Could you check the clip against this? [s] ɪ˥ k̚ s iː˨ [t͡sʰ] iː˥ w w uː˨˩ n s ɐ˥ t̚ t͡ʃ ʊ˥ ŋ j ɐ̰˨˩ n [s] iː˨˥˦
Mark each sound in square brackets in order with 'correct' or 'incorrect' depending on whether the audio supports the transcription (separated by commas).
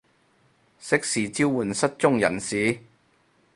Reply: correct, incorrect, correct